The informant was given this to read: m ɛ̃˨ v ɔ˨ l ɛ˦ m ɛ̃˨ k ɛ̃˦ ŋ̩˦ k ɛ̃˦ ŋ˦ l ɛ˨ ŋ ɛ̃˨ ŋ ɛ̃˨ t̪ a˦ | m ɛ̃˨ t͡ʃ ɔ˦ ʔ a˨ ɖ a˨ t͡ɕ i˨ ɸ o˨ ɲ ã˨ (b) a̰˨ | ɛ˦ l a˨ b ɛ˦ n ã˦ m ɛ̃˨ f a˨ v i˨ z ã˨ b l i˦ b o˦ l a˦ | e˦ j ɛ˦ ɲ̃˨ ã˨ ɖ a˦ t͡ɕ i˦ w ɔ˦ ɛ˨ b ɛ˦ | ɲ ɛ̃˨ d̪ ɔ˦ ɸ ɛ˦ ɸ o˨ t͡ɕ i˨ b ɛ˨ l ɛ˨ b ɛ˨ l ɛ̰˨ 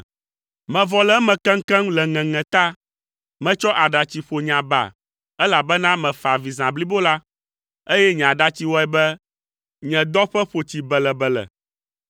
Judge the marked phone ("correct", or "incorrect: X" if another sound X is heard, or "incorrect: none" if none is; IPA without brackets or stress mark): correct